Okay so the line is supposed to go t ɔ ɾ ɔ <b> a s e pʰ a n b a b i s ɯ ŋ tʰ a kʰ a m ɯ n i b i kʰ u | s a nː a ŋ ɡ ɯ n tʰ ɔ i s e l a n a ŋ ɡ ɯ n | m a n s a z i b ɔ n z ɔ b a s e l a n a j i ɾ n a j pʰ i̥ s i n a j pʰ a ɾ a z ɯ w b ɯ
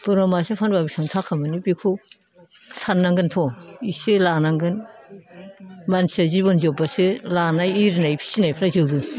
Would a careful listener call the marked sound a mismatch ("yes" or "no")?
yes